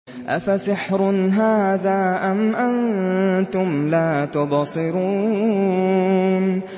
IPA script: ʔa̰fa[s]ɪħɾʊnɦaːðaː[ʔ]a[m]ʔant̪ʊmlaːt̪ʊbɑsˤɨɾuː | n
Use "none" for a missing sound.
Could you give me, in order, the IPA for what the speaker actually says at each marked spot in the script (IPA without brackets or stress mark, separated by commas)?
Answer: s, ʔ, m